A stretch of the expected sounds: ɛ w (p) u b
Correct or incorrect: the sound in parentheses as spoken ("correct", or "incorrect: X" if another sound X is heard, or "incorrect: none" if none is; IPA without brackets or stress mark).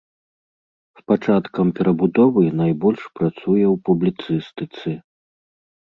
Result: correct